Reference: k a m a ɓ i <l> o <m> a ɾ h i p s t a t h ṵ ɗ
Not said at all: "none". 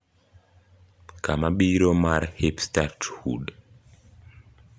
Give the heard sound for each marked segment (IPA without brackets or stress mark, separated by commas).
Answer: ɾ, m